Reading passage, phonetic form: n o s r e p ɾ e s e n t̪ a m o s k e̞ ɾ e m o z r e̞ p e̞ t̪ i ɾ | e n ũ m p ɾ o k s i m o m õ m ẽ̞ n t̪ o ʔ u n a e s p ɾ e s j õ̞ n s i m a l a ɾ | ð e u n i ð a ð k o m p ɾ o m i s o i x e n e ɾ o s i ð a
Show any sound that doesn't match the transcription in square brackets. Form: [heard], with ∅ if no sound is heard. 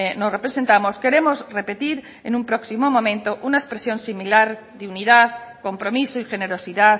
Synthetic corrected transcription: n o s r e p ɾ e s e n t̪ a m o s k e̞ ɾ e m o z r e̞ p e̞ t̪ i ɾ | e n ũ m p ɾ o k s i m o m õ m ẽ̞ n t̪ o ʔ u n a e s p ɾ e s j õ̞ n s i m [i] l a ɾ | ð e u n i ð a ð k o m p ɾ o m i s o i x e n e ɾ o s i ð a